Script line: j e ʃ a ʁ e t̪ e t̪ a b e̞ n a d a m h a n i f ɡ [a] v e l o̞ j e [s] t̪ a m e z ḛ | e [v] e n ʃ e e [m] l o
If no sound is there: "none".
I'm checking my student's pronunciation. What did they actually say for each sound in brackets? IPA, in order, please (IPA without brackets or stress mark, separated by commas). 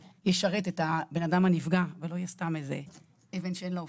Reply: a, s, v, n